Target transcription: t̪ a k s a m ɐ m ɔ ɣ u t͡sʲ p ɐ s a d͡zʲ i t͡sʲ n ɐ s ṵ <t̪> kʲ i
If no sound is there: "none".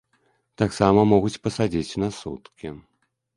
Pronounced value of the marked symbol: t̪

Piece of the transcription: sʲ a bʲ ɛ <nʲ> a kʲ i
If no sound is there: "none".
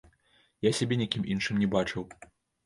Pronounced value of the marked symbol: nʲ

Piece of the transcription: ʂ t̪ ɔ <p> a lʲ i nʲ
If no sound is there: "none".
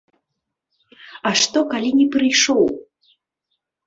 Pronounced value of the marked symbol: k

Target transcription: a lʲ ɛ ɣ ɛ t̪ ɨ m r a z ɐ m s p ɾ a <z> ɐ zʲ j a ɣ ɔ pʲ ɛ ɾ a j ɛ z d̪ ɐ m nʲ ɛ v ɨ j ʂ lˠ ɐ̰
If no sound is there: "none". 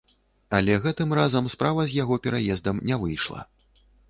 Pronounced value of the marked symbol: v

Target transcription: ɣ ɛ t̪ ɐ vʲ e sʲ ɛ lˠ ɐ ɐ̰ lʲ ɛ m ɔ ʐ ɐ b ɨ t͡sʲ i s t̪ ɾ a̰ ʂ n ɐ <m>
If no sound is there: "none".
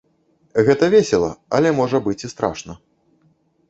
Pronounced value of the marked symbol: none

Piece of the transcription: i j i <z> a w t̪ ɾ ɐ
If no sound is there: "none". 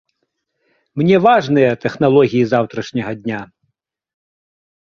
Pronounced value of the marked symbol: z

